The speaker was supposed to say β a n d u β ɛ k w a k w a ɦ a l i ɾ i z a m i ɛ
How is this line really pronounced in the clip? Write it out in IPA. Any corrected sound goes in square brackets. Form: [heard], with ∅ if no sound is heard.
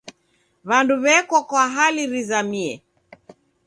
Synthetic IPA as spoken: β a n d u β ɛ k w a k w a ɦ a l i ɾ i z a m i ɛ